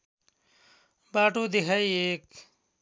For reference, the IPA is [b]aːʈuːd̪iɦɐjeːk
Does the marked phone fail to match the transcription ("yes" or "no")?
no